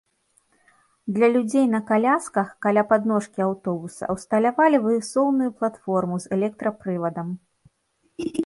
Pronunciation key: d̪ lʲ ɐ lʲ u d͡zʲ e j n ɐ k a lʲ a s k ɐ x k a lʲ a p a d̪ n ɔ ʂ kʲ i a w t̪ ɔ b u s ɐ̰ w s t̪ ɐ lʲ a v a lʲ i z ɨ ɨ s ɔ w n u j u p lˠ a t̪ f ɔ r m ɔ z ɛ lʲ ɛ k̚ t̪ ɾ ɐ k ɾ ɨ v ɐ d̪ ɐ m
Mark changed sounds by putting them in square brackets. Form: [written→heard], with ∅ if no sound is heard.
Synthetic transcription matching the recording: d̪ lʲ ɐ lʲ u d͡zʲ e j n ɐ k a lʲ a s k ɐ x k a lʲ a p a d̪ n ɔ ʂ kʲ i a w t̪ ɔ b u s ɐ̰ w s t̪ ɐ lʲ a v a lʲ i [z→v] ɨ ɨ s ɔ w n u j u p lˠ a t̪ f ɔ r m [ɔ→u] z ɛ lʲ ɛ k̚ t̪ ɾ ɐ [k→p] ɾ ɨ v ɐ d̪ ɐ m

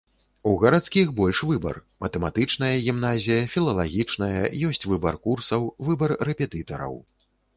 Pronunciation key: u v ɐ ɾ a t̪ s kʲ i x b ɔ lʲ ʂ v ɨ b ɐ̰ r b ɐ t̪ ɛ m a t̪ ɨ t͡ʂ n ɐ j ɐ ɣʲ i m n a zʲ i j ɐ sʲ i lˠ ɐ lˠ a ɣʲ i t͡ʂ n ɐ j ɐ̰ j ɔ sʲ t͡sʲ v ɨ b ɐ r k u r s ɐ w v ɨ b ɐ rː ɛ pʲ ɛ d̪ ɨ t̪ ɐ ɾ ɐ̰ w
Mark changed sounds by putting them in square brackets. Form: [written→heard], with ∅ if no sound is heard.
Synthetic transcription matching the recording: u [v→ɣ] ɐ ɾ a t̪ s kʲ i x b ɔ lʲ ʂ v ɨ b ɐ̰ r [b→m] ɐ t̪ ɛ m a t̪ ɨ t͡ʂ n ɐ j ɐ ɣʲ i m n a zʲ i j ɐ [sʲ→fʲ] i lˠ ɐ lˠ a ɣʲ i t͡ʂ n ɐ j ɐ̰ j ɔ sʲ t͡sʲ v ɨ b ɐ r k u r s ɐ w v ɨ b ɐ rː ɛ pʲ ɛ [d̪→t̪] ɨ t̪ ɐ ɾ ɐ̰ w

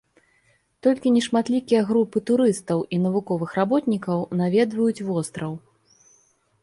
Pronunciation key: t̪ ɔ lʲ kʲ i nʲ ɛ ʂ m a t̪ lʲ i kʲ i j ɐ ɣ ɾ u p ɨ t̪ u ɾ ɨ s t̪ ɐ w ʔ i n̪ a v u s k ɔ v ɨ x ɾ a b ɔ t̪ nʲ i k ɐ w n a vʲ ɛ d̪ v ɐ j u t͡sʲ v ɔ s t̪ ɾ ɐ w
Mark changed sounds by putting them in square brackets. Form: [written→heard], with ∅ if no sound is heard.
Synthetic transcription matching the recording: t̪ ɔ lʲ kʲ i nʲ ɛ ʂ m a t̪ lʲ i kʲ i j ɐ ɣ ɾ u p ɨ t̪ u ɾ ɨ s t̪ ɐ w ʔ i n̪ [a→ɐ] v u [s→∅] k ɔ v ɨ x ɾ a b ɔ t̪ nʲ i k ɐ w n a vʲ ɛ d̪ v ɐ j u t͡sʲ v ɔ s t̪ ɾ ɐ w

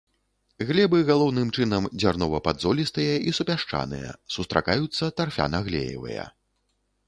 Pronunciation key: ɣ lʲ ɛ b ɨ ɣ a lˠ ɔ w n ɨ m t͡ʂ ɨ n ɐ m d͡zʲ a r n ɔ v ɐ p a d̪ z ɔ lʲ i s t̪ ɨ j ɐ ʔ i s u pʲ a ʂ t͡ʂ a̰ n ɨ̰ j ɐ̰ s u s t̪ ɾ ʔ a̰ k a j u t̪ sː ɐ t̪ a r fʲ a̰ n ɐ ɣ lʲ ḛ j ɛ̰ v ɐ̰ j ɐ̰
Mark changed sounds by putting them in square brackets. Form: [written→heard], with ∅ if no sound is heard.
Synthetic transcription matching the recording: ɣ lʲ ɛ b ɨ ɣ a lˠ ɔ w n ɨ m t͡ʂ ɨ n ɐ m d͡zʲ a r n ɔ v ɐ p a d̪ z ɔ lʲ i s t̪ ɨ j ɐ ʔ i s u pʲ a ʂ t͡ʂ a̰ n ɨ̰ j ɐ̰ s u s t̪ ɾ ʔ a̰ k a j u t̪ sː ɐ t̪ a r fʲ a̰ n ɐ ɣ lʲ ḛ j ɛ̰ v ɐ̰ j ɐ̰

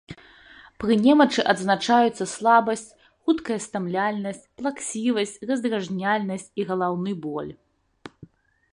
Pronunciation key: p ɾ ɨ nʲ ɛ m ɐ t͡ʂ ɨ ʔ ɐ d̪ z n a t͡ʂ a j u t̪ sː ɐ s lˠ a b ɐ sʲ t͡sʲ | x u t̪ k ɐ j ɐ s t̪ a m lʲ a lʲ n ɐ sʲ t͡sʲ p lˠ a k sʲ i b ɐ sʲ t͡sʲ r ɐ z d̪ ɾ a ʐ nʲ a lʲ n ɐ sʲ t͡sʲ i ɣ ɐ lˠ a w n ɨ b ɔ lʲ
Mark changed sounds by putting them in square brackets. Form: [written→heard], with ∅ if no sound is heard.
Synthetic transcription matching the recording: p ɾ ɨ nʲ ɛ m ɐ t͡ʂ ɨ ʔ ɐ d̪ z n a t͡ʂ a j u t̪ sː ɐ s lˠ a b ɐ sʲ t͡sʲ | x u t̪ k ɐ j ɐ s t̪ a m lʲ a lʲ n ɐ sʲ t͡sʲ p lˠ a k sʲ i [b→v] ɐ sʲ t͡sʲ r ɐ z d̪ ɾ a ʐ nʲ a lʲ n ɐ sʲ t͡sʲ i ɣ ɐ lˠ a w n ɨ b ɔ lʲ

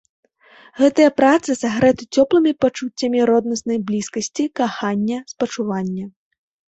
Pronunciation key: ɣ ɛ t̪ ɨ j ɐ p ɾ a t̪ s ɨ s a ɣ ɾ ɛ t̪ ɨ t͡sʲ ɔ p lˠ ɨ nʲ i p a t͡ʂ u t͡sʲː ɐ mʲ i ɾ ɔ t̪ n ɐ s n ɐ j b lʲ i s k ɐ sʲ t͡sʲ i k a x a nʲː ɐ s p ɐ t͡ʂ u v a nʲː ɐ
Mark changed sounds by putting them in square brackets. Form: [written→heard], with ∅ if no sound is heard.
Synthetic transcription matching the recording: ɣ ɛ t̪ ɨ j ɐ p ɾ a t̪ s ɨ s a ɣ ɾ ɛ t̪ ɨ t͡sʲ ɔ p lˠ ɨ [nʲ→mʲ] i p a t͡ʂ u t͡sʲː ɐ mʲ i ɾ ɔ [t̪→d̪] n ɐ s n ɐ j b lʲ i s k ɐ sʲ t͡sʲ i k a x a nʲː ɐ s p ɐ t͡ʂ u v a nʲː ɐ

